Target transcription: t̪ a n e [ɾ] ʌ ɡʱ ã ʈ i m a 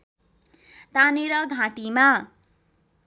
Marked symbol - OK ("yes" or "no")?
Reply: yes